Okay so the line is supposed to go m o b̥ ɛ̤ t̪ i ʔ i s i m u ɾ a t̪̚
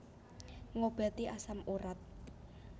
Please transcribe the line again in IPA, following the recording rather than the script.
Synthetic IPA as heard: ŋ o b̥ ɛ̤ t̪ i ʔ a s a m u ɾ a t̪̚